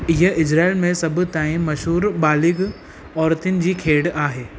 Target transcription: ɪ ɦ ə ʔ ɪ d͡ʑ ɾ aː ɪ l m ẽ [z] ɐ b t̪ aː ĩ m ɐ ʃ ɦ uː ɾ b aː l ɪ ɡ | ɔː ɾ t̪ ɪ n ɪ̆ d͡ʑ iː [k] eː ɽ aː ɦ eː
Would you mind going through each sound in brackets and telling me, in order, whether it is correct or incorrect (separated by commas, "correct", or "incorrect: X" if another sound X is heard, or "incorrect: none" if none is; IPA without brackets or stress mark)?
incorrect: s, incorrect: kʰ